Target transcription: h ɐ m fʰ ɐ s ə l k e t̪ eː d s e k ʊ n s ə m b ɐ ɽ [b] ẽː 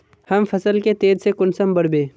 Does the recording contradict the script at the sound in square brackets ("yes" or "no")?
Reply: no